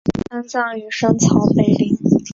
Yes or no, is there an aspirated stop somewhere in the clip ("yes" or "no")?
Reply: yes